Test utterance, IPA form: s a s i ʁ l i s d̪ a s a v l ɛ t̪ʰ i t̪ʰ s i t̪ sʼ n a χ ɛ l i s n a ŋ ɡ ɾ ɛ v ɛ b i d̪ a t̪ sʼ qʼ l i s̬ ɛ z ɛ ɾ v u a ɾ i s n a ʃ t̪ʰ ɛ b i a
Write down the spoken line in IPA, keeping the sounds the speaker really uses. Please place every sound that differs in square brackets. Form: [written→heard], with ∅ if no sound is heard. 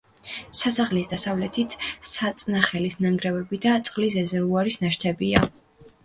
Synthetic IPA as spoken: s a s [i→a] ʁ l i s d̪ a s a v l ɛ t̪ʰ i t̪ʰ s [i→a] t̪ sʼ n a χ ɛ l i s n a ŋ ɡ ɾ ɛ v ɛ b i d̪ a t̪ sʼ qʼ l i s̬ ɛ z ɛ ɾ v u a ɾ i s n a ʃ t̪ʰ ɛ b i a